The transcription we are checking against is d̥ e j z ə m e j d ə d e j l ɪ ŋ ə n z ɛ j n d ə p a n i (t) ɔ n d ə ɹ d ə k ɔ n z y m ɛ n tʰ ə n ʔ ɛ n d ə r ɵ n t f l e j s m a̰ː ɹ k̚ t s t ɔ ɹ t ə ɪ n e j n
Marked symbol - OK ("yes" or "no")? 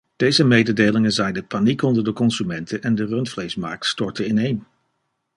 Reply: no